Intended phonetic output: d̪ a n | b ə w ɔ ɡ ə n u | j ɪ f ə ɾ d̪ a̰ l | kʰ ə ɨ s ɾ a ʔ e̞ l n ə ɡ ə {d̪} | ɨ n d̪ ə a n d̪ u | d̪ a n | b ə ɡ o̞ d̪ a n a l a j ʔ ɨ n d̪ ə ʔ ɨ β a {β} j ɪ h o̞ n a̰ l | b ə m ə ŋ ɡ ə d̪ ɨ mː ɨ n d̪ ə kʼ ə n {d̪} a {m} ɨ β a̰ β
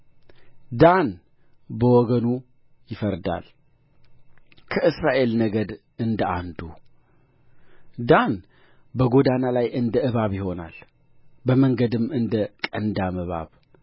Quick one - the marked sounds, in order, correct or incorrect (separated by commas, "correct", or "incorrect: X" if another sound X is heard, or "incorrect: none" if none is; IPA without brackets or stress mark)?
correct, correct, correct, correct